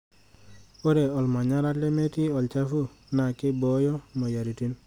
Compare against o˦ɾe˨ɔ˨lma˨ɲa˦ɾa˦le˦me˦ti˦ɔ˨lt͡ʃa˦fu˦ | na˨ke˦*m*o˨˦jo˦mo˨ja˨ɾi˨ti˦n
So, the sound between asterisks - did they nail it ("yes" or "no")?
no